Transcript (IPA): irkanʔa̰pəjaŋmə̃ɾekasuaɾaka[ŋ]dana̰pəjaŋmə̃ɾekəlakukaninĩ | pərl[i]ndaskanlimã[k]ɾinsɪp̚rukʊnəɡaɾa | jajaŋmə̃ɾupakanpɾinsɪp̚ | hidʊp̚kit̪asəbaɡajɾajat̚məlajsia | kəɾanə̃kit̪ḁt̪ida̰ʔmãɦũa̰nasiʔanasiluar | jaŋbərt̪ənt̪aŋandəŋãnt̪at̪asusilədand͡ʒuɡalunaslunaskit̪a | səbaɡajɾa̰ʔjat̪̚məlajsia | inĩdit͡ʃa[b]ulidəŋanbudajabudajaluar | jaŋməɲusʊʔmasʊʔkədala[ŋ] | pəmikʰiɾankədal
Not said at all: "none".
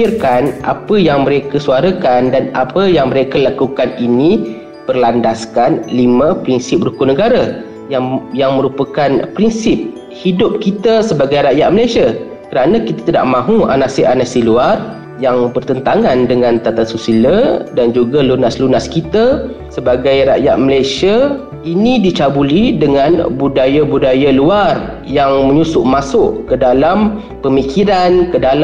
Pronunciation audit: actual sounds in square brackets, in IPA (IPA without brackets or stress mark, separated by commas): n, a, p, b, m